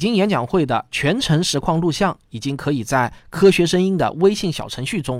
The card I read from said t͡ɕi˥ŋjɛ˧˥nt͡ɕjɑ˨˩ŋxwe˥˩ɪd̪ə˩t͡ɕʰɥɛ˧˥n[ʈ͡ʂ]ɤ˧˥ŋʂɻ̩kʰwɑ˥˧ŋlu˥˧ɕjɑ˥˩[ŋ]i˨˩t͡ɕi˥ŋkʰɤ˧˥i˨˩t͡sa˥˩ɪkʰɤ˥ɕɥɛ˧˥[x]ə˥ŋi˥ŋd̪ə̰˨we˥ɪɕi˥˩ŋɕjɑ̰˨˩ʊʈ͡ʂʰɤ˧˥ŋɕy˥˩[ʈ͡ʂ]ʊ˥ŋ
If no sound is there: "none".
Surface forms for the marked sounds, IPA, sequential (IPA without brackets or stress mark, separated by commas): ʈ͡ʂʰ, ŋ, ʂ, ʈ͡ʂ